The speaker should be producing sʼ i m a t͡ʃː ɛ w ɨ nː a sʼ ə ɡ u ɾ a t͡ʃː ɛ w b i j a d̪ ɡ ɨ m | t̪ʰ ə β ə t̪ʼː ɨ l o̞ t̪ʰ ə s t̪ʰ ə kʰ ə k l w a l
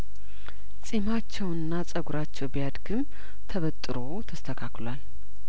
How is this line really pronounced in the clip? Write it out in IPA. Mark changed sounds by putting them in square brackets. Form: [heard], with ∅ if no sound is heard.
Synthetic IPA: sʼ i m a t͡ʃː ɛ w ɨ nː a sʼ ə ɡ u ɾ a t͡ʃː ɛ w b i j a d̪ ɡ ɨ m | t̪ʰ ə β ə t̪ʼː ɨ [ɾ] o̞ t̪ʰ ə s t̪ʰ ə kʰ [a] k l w a l